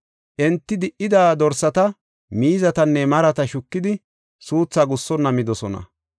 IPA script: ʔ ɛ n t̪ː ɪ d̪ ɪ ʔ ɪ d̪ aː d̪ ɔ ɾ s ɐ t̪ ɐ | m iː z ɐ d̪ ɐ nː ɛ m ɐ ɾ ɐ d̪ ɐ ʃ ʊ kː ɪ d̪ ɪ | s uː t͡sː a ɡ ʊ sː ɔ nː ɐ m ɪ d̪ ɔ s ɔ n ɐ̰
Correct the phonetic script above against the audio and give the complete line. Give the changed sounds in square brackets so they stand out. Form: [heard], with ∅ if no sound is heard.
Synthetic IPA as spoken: ʔ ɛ n t̪ː ɪ d̪ ɪ ʔ ɪ d̪ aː d̪ ɔ ɾ s ɐ t̪ ɐ | m iː z ɐ [t̪] ɐ nː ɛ m ɐ ɾ ɐ [t̪] ɐ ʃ ʊ kː ɪ d̪ ɪ | s uː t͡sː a ɡ ʊ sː ɔ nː ɐ m ɪ d̪ ɔ s ɔ n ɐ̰